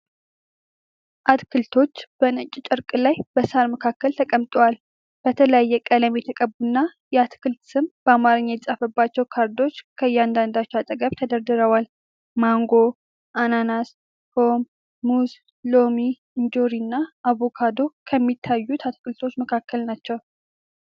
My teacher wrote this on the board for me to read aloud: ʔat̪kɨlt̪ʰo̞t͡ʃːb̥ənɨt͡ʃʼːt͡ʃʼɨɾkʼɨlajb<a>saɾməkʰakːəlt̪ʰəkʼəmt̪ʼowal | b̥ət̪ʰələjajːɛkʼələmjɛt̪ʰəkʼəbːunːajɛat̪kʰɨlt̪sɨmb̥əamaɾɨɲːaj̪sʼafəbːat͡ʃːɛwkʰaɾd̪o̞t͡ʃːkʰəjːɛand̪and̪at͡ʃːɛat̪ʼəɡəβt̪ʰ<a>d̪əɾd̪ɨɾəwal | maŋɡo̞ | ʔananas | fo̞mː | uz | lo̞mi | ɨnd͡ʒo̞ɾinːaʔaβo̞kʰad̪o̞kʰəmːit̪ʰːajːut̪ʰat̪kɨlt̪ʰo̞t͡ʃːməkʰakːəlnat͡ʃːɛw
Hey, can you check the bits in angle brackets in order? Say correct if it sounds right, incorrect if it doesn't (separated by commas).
incorrect, incorrect